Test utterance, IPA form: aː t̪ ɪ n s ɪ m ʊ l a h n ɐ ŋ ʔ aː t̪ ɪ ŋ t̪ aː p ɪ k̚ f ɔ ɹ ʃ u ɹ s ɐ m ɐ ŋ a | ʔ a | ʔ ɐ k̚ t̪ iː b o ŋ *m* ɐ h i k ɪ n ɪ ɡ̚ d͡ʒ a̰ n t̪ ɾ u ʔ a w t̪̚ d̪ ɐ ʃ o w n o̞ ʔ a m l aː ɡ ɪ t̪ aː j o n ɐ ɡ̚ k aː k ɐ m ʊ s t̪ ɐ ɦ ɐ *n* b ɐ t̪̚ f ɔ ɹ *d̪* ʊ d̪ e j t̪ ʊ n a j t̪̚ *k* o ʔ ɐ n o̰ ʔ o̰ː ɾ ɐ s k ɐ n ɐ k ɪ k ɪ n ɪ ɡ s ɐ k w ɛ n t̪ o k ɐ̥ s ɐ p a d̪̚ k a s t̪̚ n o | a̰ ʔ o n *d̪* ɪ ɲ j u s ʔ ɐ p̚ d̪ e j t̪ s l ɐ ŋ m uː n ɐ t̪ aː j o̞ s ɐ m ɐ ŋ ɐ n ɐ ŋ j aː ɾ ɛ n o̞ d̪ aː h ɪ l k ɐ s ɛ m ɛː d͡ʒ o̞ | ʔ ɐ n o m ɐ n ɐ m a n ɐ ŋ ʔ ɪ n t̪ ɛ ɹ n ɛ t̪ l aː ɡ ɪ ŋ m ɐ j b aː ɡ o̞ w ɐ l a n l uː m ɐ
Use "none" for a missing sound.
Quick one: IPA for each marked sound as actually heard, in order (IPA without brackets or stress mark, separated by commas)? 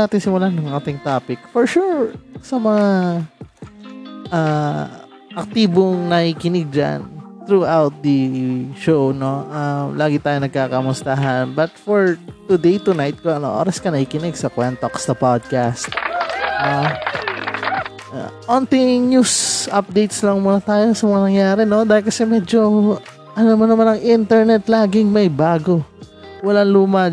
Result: n, n, t̪, k, t̪